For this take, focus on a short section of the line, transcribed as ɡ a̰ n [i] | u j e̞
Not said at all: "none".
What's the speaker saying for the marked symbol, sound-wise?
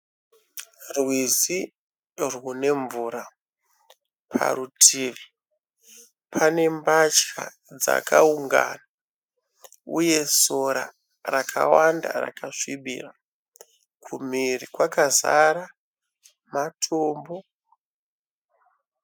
a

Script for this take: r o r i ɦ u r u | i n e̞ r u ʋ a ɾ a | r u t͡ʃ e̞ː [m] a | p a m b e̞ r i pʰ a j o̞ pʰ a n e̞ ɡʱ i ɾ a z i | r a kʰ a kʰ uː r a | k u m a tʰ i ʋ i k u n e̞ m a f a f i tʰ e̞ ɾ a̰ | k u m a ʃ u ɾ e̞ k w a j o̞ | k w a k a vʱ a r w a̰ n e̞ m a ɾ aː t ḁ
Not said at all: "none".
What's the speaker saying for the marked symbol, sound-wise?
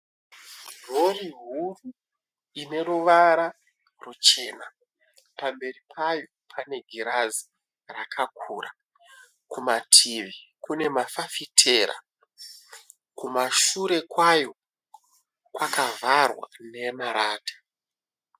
n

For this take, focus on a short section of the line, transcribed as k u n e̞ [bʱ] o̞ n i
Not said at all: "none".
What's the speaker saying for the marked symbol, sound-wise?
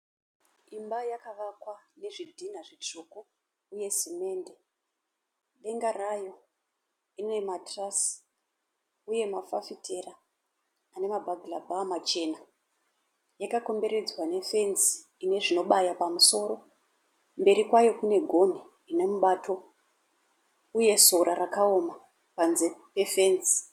ɡʱ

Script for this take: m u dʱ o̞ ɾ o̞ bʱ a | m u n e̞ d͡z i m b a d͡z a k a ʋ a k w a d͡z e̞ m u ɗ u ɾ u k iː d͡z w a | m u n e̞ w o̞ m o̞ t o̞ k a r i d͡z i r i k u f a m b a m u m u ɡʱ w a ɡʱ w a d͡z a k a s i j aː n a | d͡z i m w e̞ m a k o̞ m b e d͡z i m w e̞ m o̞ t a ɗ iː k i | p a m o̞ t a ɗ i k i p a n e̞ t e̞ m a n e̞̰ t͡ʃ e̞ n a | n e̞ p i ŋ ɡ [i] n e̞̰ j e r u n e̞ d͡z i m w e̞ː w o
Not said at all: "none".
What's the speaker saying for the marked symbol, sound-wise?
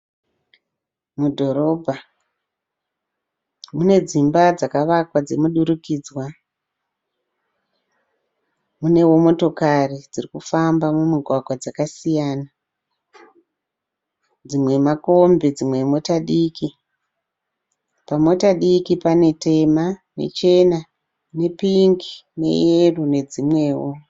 i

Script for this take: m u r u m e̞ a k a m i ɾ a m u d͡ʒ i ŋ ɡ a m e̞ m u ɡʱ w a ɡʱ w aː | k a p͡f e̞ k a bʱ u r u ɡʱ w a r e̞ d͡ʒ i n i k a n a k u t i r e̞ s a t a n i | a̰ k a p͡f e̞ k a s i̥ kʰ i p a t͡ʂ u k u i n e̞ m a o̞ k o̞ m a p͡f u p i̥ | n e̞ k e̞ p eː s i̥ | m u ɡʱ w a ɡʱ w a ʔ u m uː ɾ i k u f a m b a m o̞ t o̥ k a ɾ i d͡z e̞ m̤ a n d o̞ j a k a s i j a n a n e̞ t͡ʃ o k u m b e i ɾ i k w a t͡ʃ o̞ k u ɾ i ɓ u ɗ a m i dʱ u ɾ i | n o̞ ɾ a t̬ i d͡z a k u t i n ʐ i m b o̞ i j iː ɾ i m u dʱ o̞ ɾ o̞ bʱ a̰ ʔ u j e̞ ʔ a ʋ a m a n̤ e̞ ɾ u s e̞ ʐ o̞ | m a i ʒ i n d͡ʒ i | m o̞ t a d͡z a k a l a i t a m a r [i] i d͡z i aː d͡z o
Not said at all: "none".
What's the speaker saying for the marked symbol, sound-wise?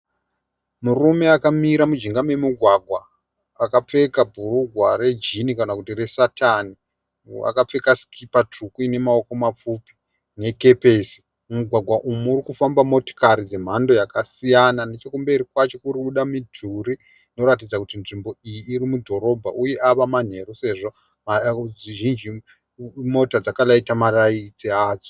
a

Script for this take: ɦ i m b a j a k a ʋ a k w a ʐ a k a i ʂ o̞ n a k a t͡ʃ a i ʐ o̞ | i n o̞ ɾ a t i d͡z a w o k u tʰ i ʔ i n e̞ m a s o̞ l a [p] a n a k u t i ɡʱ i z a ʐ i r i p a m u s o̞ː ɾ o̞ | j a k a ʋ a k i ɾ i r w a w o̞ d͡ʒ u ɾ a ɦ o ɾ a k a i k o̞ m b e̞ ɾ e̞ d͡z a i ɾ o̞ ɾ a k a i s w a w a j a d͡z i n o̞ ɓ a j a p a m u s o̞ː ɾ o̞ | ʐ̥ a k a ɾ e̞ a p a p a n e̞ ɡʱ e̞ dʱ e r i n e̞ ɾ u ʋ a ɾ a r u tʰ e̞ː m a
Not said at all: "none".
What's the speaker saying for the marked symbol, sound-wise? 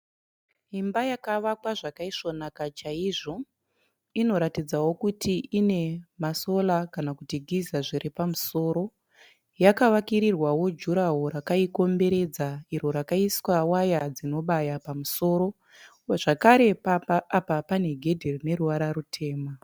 k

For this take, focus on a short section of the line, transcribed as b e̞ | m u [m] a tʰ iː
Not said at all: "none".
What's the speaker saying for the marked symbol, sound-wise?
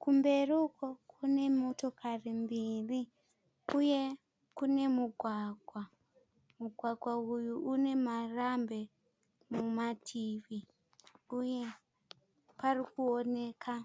m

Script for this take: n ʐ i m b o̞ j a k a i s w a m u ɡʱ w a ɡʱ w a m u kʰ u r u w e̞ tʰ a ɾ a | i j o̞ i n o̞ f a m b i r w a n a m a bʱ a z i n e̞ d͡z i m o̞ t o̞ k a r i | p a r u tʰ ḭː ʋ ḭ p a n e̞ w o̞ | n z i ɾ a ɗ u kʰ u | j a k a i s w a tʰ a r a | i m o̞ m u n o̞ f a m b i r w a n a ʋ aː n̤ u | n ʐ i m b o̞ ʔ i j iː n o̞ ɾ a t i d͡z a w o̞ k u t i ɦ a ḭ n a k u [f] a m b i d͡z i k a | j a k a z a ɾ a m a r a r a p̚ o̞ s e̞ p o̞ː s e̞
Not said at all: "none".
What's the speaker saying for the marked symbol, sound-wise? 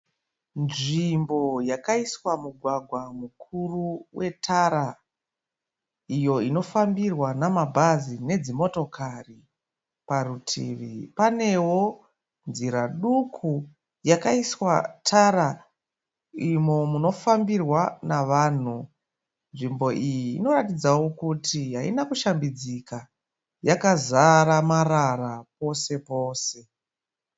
ʃ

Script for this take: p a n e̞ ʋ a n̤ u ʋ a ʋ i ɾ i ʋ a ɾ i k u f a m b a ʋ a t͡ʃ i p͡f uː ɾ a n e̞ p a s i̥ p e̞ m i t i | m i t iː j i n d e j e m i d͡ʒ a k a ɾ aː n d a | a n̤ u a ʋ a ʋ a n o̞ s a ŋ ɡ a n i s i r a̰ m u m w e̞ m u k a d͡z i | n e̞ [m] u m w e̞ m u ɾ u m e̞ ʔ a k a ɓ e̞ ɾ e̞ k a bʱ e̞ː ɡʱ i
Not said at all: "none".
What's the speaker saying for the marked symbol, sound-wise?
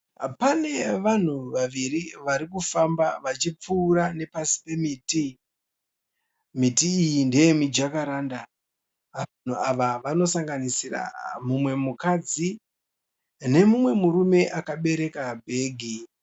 m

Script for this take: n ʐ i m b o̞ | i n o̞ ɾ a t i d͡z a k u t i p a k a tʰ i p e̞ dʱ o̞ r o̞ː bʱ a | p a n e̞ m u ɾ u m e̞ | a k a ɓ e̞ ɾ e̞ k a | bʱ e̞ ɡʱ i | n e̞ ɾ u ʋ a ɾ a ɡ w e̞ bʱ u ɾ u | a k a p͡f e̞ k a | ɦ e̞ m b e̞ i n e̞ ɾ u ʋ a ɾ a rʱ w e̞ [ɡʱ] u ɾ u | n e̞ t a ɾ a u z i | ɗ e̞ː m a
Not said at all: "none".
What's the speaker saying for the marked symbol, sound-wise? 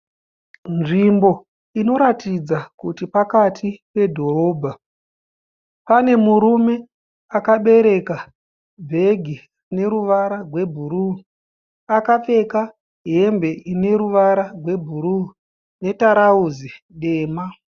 bʱ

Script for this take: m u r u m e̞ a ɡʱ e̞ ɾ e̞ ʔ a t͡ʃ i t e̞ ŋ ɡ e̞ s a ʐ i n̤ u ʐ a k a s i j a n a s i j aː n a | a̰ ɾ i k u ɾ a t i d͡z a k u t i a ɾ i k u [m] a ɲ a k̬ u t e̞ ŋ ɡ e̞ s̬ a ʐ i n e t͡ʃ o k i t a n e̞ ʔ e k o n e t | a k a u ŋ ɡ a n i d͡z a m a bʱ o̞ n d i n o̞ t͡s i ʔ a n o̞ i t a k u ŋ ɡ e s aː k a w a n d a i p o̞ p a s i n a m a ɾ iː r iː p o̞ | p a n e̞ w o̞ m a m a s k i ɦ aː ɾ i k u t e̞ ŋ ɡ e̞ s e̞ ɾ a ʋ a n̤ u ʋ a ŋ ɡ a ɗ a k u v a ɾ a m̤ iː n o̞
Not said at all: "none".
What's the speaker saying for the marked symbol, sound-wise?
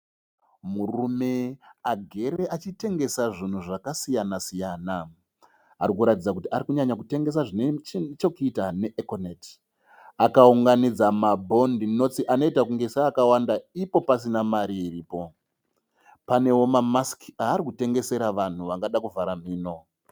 ɲ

